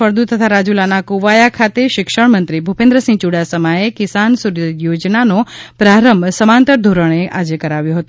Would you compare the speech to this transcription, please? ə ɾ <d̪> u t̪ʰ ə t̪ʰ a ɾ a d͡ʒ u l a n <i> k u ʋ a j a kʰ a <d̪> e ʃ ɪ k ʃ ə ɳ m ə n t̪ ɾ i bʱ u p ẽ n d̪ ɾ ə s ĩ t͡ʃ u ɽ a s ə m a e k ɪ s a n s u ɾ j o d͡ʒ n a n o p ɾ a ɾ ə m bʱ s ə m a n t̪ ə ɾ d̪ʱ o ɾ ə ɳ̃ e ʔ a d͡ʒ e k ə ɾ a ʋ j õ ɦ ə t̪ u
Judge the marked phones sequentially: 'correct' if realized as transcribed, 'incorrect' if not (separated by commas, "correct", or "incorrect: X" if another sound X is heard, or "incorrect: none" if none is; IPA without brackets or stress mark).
correct, incorrect: a, incorrect: t̪